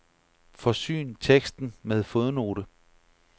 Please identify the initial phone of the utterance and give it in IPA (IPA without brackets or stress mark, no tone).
f